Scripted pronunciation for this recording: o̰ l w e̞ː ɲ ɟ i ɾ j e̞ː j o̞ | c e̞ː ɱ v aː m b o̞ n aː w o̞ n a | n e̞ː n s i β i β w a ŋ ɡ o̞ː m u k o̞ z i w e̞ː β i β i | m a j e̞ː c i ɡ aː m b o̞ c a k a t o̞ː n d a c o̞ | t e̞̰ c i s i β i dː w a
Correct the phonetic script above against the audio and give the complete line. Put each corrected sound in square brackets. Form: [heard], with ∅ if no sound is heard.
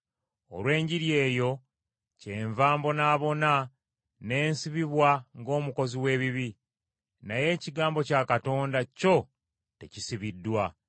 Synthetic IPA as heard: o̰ l w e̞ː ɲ ɟ i ɾ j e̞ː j o̞ | c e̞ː ɱ v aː m b o̞ n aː [β] o̞ n a | n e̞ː n s i β i β w a ŋ ɡ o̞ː m u k o̞ z i w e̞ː β i β i | [n] a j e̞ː c i ɡ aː m b o̞ c a k a t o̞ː n d a c o̞ | t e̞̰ c i s i β i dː w a